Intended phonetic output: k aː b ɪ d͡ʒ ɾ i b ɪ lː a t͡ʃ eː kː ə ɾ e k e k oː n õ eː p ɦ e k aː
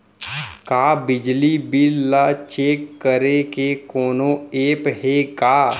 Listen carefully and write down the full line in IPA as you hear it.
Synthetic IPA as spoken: k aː b ɪ d͡ʒ l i b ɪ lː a t͡ʃ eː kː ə ɾ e k e k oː n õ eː p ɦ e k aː